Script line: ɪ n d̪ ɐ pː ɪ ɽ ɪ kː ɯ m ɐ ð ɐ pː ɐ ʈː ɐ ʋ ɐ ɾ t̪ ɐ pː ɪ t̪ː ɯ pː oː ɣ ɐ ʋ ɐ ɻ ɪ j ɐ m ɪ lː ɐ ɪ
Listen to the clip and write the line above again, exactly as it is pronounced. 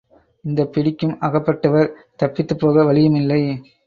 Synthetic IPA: ɪ n d̪ ɐ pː ɪ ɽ ɪ kː ɯ m ɐ ɣ ɐ pː ɐ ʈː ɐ ʋ ɐ ɾ t̪ ɐ pː ɪ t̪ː ɯ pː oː ɣ ɐ ʋ ɐ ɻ ɪ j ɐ m ɪ lː ɐ ɪ